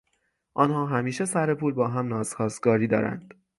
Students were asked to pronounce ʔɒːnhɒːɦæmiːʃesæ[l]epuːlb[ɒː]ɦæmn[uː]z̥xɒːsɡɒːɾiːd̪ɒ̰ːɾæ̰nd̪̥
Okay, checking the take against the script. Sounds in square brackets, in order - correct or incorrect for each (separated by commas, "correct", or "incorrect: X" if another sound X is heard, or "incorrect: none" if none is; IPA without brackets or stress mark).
incorrect: ɾ, correct, incorrect: ɒː